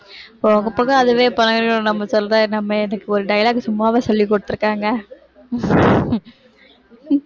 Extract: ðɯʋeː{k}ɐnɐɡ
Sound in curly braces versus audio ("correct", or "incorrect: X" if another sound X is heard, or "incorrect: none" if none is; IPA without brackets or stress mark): incorrect: p